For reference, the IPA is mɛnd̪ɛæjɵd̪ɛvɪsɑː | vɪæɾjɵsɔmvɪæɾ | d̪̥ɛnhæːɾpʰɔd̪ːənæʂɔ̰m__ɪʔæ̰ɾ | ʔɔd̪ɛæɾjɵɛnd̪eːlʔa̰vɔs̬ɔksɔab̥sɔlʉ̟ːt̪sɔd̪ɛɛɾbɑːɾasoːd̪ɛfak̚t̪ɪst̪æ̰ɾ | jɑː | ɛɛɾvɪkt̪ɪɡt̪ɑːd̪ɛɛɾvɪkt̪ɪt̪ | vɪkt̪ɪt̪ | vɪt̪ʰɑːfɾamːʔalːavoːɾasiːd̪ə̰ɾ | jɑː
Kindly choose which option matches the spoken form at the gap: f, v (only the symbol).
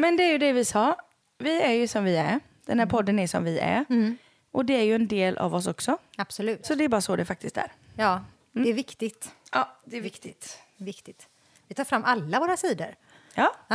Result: v